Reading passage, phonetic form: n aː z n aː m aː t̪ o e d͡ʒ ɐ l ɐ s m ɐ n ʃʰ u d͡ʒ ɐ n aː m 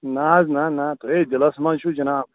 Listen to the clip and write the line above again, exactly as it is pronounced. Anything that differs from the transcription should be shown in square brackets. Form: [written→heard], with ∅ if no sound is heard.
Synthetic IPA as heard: n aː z n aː [m→n] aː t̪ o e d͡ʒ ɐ l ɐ s m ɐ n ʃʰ u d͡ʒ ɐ n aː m